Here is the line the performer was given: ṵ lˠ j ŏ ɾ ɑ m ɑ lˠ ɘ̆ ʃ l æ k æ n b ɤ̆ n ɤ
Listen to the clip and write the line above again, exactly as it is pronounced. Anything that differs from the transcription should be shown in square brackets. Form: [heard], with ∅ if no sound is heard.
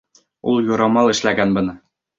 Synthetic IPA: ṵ lˠ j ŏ ɾ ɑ m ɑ lˠ ɘ̆ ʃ l æ [ɡ] æ n b ɤ̆ n ɤ